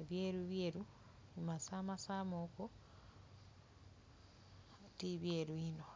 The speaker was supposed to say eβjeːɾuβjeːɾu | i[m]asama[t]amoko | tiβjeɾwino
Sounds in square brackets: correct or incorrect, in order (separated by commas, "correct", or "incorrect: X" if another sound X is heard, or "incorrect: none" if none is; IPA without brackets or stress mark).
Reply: correct, incorrect: s